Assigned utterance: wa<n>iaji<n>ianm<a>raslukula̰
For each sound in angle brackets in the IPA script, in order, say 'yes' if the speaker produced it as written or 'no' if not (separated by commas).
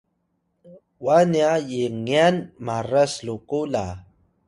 yes, no, yes